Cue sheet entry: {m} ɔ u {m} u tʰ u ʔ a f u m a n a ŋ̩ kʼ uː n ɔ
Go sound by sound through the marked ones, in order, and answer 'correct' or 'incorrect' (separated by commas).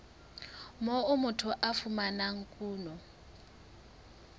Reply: correct, correct